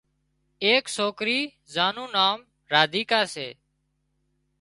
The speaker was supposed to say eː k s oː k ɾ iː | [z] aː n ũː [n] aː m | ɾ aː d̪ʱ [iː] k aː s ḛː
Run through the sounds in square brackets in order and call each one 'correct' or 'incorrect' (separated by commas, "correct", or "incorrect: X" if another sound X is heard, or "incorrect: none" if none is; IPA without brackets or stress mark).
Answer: correct, correct, correct